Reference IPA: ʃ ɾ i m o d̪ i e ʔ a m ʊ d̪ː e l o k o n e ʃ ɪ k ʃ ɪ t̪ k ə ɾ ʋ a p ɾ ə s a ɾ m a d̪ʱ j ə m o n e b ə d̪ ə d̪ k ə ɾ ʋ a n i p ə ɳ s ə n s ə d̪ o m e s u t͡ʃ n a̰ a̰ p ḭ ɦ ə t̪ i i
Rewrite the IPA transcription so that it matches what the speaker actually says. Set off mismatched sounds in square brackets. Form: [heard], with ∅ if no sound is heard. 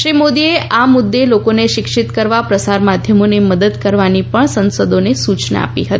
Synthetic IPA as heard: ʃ ɾ i m o d̪ i e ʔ a m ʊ d̪ː e l o k o n e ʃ ɪ k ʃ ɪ t̪ k ə ɾ ʋ a p ɾ ə s a ɾ m a d̪ʱ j ə m o n e [m] ə d̪ ə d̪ k ə ɾ ʋ a n i p ə ɳ s ə n s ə d̪ o [n] e s u t͡ʃ n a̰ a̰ p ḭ ɦ ə t̪ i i